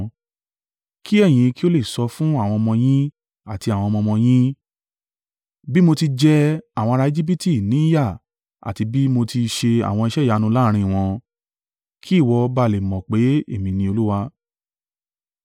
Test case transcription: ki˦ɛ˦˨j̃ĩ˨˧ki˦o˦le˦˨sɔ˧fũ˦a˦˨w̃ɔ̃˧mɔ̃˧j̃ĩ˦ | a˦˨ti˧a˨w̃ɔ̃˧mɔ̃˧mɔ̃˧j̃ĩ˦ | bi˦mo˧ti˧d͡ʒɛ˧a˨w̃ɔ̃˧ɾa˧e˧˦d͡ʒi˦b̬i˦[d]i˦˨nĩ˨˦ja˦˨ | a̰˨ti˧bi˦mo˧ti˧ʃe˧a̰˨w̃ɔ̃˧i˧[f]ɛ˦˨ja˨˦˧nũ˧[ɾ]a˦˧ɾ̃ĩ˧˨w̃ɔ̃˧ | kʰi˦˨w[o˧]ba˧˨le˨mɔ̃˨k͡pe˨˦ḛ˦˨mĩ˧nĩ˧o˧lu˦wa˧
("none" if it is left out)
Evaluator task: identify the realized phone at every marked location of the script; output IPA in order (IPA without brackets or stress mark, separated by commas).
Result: t, ʃ, l, ɔ˧